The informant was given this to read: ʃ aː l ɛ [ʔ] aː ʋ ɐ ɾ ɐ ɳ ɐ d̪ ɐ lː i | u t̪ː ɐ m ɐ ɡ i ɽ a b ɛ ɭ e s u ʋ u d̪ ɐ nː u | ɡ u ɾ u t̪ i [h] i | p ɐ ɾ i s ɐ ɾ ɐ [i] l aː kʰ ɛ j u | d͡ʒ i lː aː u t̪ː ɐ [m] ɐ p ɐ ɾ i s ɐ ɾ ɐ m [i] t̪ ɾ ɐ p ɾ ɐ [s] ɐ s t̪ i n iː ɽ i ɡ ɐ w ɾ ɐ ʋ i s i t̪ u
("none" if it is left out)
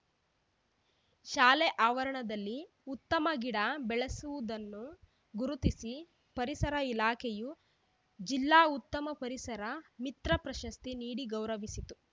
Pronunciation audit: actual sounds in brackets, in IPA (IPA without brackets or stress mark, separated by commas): ʔ, s, i, m, i, ʃ